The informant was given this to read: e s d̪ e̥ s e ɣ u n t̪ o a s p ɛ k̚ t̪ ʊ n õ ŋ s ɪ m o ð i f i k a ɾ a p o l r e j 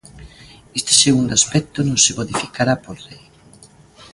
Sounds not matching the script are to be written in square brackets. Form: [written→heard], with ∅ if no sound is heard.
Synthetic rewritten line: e s [d̪→t̪] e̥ s e ɣ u n [t̪→d̪] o a s p ɛ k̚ t̪ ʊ n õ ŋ s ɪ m o ð i f i k a ɾ a p o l r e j